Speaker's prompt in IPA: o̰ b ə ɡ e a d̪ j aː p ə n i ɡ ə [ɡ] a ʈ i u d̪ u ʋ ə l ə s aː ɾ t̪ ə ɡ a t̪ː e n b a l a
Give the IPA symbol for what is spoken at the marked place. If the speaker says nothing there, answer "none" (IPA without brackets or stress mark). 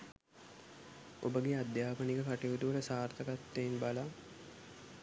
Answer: k